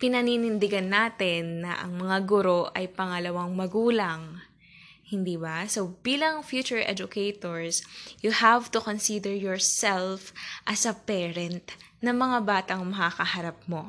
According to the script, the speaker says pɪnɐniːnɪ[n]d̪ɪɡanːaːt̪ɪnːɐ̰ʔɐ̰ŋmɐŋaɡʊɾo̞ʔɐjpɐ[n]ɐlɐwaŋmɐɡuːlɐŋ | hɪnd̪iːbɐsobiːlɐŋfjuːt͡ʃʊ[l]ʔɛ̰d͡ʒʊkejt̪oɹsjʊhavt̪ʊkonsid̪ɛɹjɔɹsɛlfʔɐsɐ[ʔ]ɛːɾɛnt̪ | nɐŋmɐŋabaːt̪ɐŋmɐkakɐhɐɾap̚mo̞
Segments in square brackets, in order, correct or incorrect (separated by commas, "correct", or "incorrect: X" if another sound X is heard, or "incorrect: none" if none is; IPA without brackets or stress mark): correct, incorrect: ŋ, incorrect: ɹ, incorrect: p